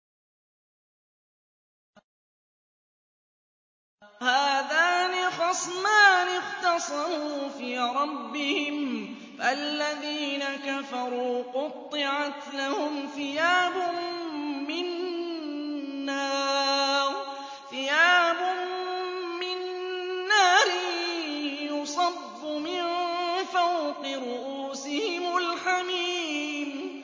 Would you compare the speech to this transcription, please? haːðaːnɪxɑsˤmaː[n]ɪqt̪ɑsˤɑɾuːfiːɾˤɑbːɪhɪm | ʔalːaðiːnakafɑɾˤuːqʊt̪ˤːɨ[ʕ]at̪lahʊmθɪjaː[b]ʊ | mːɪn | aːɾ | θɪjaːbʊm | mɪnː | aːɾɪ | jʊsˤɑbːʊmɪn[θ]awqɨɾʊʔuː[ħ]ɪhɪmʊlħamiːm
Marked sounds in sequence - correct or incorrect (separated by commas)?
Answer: correct, correct, correct, incorrect, incorrect